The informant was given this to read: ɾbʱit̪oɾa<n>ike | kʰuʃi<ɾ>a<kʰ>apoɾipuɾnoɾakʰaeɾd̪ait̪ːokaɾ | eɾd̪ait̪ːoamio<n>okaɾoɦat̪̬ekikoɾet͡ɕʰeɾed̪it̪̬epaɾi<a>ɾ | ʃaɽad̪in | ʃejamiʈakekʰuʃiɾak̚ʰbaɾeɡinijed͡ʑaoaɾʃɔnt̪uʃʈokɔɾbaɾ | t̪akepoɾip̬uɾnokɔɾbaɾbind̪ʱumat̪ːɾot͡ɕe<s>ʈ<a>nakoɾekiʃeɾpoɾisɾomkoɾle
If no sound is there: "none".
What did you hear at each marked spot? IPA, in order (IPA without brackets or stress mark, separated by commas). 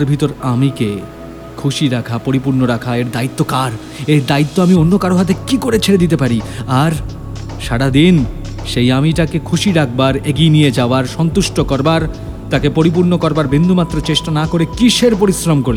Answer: m, ɾ, kʰ, nː, a, ʃ, a